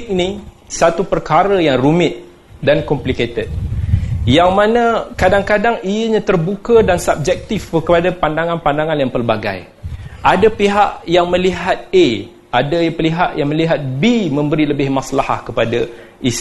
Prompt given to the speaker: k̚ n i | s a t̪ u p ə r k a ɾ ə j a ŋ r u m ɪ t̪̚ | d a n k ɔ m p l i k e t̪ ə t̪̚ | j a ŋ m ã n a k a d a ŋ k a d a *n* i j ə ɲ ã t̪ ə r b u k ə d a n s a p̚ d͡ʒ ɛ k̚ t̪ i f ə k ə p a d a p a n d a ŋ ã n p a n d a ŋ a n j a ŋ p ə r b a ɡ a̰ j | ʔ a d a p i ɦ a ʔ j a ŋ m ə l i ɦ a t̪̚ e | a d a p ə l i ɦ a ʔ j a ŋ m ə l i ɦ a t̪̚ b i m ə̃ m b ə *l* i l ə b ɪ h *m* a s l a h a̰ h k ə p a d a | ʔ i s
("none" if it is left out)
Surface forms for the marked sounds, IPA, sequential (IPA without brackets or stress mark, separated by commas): ŋ, ɾ, m